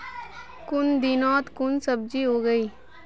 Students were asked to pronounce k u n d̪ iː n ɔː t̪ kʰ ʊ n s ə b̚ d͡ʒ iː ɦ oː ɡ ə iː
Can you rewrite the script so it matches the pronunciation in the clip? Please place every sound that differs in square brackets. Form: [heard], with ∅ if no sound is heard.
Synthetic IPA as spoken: k [ʊ] n d̪ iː n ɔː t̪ [k] ʊ n s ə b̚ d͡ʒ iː ɦ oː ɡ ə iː